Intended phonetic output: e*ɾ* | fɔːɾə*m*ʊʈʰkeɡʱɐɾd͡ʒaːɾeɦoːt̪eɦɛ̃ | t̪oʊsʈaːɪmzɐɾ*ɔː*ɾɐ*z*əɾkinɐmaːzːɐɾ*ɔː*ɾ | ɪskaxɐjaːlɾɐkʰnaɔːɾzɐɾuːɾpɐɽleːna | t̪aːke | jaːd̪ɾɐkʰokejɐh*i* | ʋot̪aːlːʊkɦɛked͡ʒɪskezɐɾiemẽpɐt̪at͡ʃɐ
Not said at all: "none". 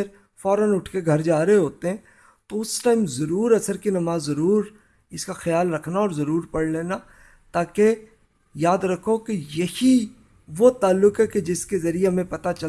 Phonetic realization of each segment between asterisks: ɾ, n, uː, s, uː, i

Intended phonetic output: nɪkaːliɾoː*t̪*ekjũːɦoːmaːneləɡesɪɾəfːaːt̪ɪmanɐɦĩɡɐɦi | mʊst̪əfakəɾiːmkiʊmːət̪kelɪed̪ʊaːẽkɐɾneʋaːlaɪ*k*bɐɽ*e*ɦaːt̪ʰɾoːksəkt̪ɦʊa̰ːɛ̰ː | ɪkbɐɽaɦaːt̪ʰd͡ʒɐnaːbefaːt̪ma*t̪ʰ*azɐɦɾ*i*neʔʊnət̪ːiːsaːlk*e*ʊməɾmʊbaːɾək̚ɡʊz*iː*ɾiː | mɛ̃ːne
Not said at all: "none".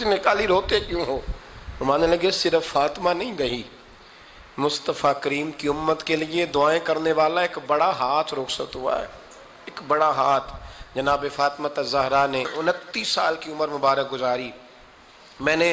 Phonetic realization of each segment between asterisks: t̪, k, a, t̪, a, i, aː

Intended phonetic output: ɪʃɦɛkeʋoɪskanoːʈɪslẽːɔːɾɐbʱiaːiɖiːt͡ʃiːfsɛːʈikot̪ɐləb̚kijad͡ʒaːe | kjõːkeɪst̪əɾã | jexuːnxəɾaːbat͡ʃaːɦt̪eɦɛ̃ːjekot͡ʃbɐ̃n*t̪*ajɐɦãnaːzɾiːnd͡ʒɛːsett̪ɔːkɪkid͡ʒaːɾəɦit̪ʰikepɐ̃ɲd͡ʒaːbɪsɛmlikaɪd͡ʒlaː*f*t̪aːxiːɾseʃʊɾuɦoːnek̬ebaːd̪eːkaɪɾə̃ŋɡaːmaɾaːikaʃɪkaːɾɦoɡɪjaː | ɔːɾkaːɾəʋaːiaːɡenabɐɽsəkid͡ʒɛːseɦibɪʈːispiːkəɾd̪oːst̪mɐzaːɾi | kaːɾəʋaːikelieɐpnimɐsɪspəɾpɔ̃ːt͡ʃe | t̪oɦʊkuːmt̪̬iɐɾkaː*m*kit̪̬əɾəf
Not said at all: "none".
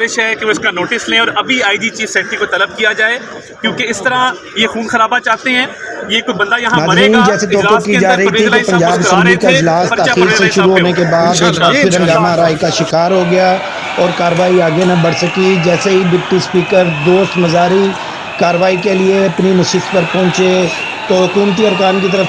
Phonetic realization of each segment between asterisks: d̪, s, n

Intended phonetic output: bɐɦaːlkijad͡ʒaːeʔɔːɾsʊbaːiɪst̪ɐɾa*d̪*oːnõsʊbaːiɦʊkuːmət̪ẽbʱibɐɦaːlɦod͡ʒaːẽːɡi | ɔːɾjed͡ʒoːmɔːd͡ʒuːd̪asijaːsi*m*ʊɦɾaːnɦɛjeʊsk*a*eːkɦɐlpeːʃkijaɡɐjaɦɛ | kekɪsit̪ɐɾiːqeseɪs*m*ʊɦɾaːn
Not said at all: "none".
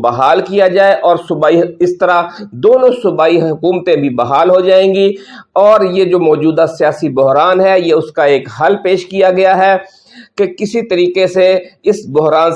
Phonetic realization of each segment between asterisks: d̪, b, a, b

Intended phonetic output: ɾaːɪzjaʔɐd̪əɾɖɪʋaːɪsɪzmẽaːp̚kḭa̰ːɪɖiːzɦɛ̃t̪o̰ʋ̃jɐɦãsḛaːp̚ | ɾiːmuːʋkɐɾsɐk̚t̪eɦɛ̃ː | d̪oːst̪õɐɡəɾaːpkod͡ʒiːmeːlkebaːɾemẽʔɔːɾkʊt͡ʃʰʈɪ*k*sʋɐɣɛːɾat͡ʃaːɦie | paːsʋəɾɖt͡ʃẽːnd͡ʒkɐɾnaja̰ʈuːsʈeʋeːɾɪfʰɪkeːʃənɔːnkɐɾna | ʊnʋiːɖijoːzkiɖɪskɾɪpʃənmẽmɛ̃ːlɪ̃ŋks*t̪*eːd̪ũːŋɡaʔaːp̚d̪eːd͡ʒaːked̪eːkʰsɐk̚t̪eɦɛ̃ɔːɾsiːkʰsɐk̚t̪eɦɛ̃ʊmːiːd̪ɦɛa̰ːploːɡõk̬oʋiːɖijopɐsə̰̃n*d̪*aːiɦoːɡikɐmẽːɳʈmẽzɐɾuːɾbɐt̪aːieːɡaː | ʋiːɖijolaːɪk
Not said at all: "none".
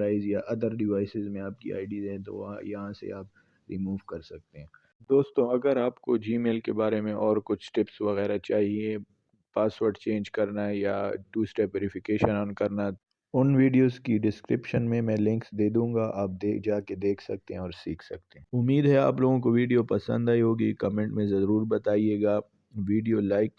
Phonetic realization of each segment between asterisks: p, d̪, d̪

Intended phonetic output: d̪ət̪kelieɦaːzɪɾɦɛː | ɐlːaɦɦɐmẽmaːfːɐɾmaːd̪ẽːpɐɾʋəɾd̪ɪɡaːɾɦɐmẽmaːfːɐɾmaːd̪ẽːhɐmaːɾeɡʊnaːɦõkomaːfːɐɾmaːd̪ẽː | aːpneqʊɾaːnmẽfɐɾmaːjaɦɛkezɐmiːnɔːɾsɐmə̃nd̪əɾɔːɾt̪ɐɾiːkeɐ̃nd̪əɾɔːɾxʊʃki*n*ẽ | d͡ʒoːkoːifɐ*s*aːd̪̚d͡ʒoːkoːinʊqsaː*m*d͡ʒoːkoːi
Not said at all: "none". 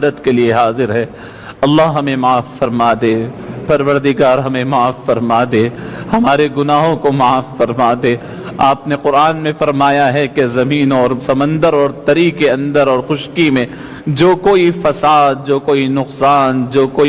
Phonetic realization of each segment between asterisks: m, s, n

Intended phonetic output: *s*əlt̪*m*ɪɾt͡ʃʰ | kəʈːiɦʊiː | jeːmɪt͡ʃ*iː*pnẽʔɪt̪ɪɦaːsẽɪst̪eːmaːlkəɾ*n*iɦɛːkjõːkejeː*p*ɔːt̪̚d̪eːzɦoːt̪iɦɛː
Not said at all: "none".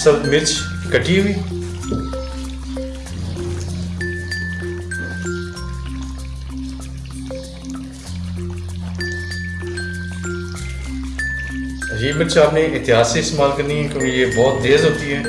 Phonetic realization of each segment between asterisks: s, m, aː, n, b

